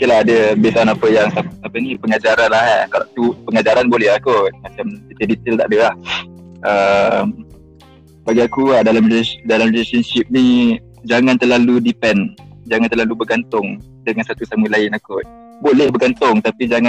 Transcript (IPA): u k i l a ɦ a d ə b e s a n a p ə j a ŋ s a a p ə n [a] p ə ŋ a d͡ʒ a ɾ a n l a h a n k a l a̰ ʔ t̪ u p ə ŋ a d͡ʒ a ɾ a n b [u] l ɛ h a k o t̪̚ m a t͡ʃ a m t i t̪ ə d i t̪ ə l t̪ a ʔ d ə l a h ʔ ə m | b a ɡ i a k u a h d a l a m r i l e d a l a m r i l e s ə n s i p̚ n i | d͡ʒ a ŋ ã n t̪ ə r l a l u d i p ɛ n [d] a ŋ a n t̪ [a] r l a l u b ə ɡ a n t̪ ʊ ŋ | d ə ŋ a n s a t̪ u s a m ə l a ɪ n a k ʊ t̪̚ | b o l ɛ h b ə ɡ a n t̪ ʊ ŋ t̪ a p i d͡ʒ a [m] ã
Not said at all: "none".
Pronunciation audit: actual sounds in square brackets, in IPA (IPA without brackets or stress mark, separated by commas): i, o, d͡ʒ, ə, ŋ